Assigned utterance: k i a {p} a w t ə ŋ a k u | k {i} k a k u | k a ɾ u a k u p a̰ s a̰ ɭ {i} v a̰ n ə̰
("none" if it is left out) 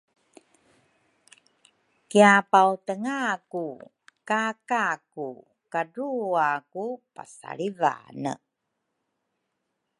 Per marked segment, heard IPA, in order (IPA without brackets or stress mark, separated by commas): p, a, i